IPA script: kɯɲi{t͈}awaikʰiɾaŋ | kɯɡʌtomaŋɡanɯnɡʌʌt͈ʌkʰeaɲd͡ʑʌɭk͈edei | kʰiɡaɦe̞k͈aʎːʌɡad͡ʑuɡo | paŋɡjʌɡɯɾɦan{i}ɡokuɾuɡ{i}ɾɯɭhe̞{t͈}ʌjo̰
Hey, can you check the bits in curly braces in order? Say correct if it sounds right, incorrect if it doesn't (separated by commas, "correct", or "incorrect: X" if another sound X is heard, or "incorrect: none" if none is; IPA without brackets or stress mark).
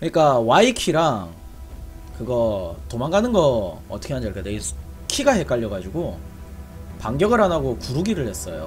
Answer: incorrect: k͈, incorrect: a, correct, incorrect: s͈